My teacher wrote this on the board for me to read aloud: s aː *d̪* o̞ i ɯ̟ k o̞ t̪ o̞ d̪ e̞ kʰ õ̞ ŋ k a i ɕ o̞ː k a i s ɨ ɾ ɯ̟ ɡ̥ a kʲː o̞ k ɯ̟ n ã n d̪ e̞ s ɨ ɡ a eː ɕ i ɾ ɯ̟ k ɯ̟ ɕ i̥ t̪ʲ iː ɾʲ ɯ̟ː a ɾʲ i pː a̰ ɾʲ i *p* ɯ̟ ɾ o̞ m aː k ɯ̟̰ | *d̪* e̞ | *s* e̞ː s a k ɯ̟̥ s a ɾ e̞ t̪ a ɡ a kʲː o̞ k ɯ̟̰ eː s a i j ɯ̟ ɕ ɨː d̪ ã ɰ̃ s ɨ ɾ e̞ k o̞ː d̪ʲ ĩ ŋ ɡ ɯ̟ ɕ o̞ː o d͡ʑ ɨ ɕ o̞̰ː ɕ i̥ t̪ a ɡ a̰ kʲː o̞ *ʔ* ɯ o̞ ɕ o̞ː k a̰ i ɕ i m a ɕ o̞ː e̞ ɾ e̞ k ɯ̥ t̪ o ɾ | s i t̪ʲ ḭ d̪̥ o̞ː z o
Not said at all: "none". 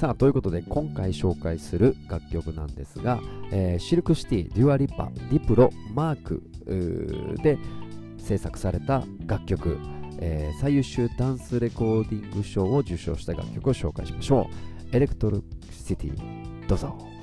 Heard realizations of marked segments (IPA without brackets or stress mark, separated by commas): t̪, p, d̪, s, k